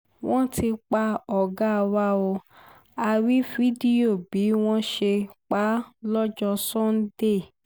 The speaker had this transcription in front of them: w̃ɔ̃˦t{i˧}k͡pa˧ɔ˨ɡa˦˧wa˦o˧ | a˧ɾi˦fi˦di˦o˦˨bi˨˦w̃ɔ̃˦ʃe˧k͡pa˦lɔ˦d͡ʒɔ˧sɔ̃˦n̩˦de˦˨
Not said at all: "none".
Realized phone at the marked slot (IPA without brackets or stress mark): i˧